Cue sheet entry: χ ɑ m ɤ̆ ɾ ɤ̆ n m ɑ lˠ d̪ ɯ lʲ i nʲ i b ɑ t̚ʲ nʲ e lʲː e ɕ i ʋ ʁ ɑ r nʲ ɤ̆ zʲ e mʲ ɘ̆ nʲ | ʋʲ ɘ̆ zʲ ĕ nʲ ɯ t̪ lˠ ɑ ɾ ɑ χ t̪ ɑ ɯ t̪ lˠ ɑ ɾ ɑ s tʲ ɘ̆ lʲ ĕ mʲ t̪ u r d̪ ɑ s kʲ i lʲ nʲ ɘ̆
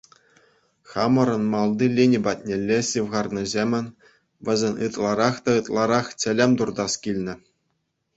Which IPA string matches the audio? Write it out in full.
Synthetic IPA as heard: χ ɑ m ɤ̆ ɾ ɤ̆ n m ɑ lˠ d̪ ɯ lʲ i nʲ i b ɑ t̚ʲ nʲ e lʲː e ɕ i ʋ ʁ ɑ r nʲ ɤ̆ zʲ e mʲ ɘ̆ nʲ | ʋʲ ɘ̆ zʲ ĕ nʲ ɯ t̪ lˠ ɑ ɾ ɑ χ t̪ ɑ ɯ t̪ lˠ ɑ ɾ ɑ χ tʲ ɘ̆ lʲ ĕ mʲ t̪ u r d̪ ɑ s kʲ i lʲ nʲ ɘ̆